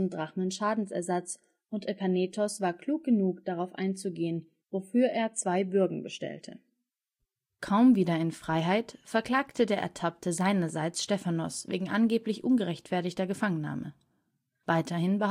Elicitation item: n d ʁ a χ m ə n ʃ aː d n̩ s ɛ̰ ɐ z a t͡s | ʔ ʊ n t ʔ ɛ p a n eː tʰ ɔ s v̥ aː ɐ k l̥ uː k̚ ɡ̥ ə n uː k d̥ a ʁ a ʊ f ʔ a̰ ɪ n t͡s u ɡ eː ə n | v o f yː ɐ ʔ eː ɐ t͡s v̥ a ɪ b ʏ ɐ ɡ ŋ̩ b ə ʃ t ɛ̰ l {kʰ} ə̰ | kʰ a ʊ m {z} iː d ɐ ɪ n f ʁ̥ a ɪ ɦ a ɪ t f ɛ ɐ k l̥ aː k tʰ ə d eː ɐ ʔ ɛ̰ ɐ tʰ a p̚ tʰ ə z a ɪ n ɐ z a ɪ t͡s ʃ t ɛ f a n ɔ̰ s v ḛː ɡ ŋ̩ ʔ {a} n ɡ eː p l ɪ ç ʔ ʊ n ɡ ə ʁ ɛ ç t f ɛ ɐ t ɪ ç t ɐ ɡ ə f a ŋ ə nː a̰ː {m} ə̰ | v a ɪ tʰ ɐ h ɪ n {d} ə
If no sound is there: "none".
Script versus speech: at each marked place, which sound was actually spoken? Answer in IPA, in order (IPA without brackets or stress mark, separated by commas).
tʰ, v, a, m, b